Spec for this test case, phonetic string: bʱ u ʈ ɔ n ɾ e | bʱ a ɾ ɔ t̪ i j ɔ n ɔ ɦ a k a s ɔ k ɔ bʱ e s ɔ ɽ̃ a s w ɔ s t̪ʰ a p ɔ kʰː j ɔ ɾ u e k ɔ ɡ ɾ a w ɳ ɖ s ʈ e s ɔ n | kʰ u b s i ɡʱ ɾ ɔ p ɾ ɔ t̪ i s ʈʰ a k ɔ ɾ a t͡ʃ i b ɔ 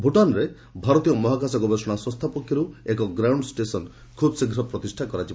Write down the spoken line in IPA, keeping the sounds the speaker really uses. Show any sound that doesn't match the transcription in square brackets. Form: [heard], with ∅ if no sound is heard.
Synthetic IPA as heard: bʱ u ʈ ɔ n ɾ e | bʱ a ɾ ɔ t̪ i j ɔ [m] ɔ ɦ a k a s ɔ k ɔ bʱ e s ɔ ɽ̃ a s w ɔ s t̪ʰ a p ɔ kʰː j ɔ ɾ u e k ɔ ɡ ɾ a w ɳ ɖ s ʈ e s ɔ n | kʰ u b s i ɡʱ ɾ ɔ p ɾ ɔ t̪ i s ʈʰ a k ɔ ɾ a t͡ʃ i b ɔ